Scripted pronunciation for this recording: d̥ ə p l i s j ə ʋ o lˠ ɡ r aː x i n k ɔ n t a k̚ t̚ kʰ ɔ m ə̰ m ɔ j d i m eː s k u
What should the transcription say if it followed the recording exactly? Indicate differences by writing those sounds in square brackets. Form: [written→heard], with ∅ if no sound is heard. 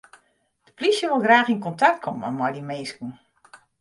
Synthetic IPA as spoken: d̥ ə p l i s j ə ʋ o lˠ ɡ r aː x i n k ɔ n t a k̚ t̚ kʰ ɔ m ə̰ m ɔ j d i m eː s k u